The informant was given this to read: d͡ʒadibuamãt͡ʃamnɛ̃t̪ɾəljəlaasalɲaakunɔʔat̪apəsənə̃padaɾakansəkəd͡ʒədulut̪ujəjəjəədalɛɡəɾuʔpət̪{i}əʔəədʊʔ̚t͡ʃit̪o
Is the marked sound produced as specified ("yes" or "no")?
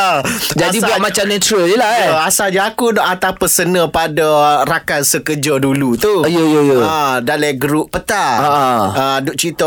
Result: no